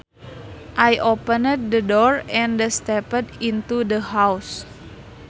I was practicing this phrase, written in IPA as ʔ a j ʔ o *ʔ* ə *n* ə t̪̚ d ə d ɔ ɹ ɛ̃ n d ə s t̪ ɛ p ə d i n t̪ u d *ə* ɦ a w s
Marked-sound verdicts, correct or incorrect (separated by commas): incorrect, correct, correct